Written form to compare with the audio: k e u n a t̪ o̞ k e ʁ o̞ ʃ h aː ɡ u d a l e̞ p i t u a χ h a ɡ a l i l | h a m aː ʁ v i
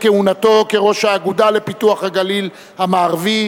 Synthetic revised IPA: k e u n a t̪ o̞ k e ʁ o̞ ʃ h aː ɡ u d a l e̞ p i t u a χ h a ɡ a l i l | h a m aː ʁ v i